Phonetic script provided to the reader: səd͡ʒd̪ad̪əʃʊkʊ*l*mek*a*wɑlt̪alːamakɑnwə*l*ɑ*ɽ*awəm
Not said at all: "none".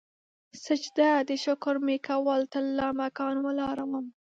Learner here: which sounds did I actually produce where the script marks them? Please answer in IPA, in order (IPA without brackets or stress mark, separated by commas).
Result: ɾ, a, l, ɾ